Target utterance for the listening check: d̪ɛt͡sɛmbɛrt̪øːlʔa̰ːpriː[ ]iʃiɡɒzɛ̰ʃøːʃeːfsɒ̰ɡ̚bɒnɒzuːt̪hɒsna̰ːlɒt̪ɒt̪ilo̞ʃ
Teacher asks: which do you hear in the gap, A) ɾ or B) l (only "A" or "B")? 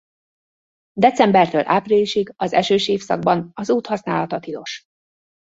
B